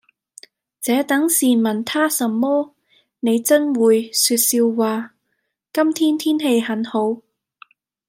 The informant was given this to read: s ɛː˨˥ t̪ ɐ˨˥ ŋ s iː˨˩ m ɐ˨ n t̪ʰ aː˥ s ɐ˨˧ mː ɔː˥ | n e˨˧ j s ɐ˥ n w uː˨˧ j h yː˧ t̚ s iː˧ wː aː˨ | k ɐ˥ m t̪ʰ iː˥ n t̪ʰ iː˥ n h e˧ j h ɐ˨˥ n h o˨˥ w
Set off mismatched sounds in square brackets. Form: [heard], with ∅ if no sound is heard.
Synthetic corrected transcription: [t͡s] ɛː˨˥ t̪ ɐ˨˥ ŋ s iː˨˩ m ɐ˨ n t̪ʰ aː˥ s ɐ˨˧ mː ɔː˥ | n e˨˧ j [t͡s] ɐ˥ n w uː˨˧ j [s] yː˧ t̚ s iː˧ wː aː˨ | k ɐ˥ m t̪ʰ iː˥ n t̪ʰ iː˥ n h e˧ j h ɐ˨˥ n h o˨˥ w